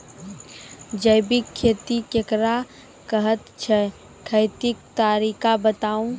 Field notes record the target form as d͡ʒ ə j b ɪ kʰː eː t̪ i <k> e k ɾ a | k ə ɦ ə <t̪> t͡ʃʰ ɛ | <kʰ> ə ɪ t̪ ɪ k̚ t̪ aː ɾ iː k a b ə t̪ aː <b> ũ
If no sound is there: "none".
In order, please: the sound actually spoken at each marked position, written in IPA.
k, t̪, kʰ, none

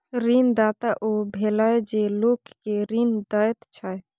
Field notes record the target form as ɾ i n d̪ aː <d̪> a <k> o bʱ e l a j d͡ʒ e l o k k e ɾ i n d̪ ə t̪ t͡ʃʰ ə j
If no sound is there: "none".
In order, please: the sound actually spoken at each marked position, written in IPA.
t̪, ʔ

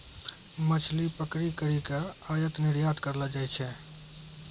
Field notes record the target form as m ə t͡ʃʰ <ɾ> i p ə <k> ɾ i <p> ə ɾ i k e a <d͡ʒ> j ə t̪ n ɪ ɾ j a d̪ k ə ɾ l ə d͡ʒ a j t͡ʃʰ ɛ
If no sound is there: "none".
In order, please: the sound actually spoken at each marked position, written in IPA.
l, k, k, none

